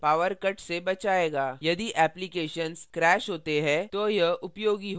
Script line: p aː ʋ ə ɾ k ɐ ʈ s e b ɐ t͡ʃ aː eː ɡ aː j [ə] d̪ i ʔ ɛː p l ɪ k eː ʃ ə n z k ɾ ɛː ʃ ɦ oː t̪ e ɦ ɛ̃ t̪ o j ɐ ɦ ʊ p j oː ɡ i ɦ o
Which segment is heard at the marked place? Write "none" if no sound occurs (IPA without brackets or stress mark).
ɐ